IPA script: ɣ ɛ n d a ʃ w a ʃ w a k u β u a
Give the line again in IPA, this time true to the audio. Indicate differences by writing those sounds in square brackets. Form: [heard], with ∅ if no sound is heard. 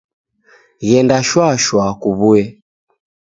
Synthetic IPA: ɣ ɛ n d a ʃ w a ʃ w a k u β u [ɛ]